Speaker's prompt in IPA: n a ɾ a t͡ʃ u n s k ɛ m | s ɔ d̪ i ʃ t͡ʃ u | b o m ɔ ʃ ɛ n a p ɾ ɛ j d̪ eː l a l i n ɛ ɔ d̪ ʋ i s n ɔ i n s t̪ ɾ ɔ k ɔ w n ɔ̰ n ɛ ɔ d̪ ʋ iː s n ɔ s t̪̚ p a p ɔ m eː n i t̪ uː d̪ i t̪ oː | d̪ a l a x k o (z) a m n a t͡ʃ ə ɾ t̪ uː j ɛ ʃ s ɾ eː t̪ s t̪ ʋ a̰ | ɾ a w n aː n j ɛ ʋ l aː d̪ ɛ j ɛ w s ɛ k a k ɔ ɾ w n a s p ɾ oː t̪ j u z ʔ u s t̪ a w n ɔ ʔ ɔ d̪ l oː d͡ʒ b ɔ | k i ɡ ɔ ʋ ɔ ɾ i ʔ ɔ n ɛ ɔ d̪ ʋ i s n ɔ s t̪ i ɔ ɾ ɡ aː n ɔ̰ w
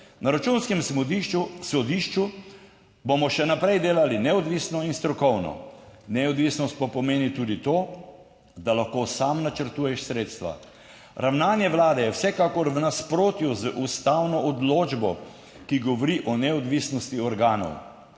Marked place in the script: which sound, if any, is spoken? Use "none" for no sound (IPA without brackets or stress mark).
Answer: s